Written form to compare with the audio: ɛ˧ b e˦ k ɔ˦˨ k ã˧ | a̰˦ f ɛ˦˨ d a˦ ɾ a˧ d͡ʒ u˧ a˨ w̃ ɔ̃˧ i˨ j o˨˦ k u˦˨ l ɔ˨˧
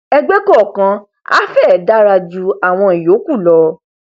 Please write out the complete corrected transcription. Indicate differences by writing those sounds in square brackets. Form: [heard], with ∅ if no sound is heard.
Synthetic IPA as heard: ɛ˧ [ɡ͡b] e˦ k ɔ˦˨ k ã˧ | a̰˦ f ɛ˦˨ d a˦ ɾ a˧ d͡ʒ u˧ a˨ w̃ ɔ̃˧ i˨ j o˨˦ k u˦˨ l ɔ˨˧